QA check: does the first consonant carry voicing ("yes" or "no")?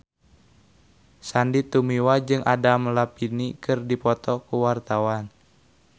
no